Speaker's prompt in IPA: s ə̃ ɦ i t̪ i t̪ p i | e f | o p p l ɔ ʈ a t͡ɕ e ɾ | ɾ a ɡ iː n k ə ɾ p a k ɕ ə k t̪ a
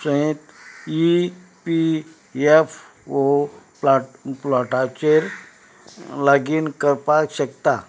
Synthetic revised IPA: s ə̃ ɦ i t̪ i p i | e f | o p p l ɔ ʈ a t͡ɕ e ɾ | l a ɡ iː n k ə ɾ p a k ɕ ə k t̪ a

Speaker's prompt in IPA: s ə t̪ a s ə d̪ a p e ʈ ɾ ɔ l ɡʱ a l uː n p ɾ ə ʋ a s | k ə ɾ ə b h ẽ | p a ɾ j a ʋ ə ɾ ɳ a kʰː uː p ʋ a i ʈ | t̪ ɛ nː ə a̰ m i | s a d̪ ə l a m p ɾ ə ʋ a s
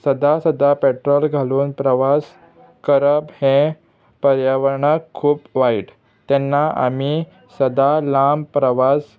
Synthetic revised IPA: s ə d̪ a s ə d̪ a p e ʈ ɾ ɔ l ɡʱ a l uː n p ɾ ə ʋ a s | k ə ɾ ə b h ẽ | p ə ɾ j a ʋ ə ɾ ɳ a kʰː uː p ʋ a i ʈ | t̪ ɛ nː a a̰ m i | s ə d̪ a l a m p ɾ ə ʋ a s

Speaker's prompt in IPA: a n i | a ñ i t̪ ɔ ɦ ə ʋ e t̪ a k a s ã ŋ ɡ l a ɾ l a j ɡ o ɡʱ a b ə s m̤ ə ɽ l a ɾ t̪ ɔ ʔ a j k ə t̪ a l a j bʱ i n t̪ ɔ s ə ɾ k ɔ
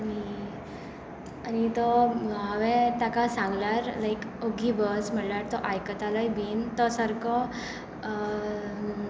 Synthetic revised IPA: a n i | a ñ i t̪ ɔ ɦ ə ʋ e t̪ a k a s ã ŋ ɡ l a ɾ l a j k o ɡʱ i b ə s m̤ ə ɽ l a ɾ t̪ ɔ ʔ a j k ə t̪ a l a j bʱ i n t̪ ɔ s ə ɾ k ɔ

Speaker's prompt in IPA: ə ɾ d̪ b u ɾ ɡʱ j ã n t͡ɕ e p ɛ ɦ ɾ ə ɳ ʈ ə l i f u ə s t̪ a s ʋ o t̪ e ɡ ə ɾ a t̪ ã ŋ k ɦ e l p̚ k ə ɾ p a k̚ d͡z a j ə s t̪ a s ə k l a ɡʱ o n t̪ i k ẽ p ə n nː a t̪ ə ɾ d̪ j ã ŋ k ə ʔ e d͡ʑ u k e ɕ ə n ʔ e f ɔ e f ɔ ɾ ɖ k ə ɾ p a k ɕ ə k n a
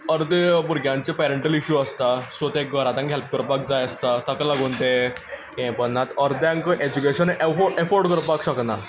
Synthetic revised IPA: ə ɾ d̪ b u ɾ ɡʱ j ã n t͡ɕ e p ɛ ɾ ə ɳ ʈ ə l i ɕ u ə s t̪ a s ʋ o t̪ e ɡ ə ɾ a t̪ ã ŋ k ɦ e l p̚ k ə ɾ p a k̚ d͡z a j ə s t̪ a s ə k l a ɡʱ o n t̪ e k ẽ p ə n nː a t̪ ə ɾ d̪ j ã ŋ k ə ʔ e d͡ʑ u k e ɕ ə n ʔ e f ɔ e f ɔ ɾ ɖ k ə ɾ p a k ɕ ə k n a

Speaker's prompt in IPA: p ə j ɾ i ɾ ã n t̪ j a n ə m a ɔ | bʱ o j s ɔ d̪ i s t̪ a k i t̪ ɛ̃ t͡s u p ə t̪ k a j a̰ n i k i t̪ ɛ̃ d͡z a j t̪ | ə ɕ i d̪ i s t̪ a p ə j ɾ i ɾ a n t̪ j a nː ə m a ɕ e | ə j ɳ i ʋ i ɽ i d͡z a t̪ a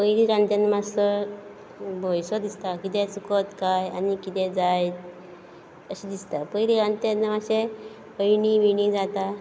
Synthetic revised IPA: p ə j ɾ i ɾ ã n t̪ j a n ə m a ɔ | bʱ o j s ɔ d̪ i s t̪ a k i t̪ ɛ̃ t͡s u k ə t̪ k a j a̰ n i k i t̪ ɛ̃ d͡z a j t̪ | ə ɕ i d̪ i s t̪ a p ə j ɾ i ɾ a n t̪ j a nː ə m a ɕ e | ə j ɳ i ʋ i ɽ i d͡z a t̪ a

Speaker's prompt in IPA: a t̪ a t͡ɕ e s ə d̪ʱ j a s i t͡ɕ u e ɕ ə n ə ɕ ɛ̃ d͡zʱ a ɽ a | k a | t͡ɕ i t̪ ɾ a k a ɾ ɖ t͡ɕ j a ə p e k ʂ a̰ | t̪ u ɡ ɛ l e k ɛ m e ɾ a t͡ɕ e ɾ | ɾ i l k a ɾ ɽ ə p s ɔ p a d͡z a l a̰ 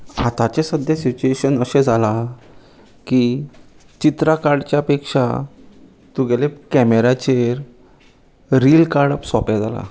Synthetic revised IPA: a t̪ a t͡ɕ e s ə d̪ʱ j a s i t͡ɕ u e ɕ ə n ə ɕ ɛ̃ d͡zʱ a l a | k i | t͡ɕ i t̪ ɾ a k a ɾ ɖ t͡ɕ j a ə p e k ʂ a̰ | t̪ u ɡ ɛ l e k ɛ m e ɾ a t͡ɕ e ɾ | ɾ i l k a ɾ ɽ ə p s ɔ p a d͡z a l a̰

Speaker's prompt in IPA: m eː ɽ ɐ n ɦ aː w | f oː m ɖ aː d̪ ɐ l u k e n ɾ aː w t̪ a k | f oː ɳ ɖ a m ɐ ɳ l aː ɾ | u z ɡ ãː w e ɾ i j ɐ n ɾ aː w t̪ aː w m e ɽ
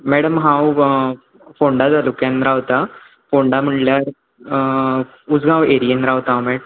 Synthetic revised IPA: m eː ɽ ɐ m ɦ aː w | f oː ɳ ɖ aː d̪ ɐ l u k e n ɾ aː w t̪ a | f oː ɳ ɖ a m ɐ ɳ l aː ɾ | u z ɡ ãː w e ɾ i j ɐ n ɾ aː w t̪ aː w m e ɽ

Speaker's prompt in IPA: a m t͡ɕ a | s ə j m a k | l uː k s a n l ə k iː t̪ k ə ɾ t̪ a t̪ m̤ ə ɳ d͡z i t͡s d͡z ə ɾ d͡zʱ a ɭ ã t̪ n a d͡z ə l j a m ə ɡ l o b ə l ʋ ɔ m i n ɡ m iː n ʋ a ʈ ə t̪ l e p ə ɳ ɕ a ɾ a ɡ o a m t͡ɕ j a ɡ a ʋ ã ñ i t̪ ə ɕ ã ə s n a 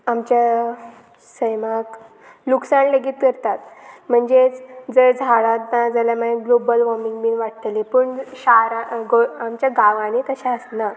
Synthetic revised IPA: a m t͡ɕ a | s ə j m a k | l u k s a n l ə ɡ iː t̪ k ə ɾ t̪ a t̪ m̤ ə ɳ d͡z e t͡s d͡z ə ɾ d͡zʱ a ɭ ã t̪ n a d͡z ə l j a m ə ɡ l o b ə l ʋ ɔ m i ŋ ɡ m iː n ʋ a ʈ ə t̪ l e p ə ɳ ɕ a ɾ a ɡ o a m t͡ɕ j a ɡ a ʋ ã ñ i t̪ ə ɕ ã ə s n a

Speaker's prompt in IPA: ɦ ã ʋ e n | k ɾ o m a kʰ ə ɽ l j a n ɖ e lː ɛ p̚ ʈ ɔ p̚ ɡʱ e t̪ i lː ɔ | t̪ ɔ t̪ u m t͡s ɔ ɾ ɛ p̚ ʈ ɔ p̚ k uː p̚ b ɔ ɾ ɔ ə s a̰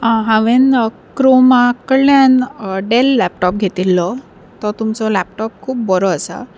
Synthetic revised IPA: ɦ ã ʋ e n | k ɾ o m a k ə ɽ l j a n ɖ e lː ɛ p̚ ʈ ɔ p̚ ɡʱ e t̪ i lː ɔ | t̪ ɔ t̪ u m t͡s ɔ l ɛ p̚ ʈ ɔ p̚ kʰ uː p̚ b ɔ ɾ ɔ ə s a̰

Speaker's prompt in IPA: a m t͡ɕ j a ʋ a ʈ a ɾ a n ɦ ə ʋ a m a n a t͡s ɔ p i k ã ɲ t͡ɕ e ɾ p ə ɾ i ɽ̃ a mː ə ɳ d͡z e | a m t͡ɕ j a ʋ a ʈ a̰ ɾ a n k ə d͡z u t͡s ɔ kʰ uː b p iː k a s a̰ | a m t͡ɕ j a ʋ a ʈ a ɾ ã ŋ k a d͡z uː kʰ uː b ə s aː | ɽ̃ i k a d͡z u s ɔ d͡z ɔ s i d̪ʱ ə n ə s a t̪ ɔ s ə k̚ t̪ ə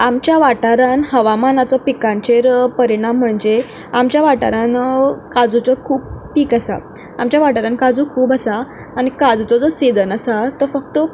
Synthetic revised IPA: a m t͡ɕ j a ʋ a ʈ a ɾ a n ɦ ə ʋ a m a n a t͡s ɔ p i k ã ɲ t͡ɕ e ɾ p ə ɾ i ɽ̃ a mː ə ɳ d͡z e | a m t͡ɕ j a ʋ a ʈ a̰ ɾ a n k a d͡z u t͡s ɔ kʰ uː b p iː k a s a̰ | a m t͡ɕ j a ʋ a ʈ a ɾ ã n k a d͡z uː kʰ uː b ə s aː | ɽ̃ i k a d͡z u t͡s ɔ d͡z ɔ s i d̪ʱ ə n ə s a t̪ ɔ f ə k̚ t̪ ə

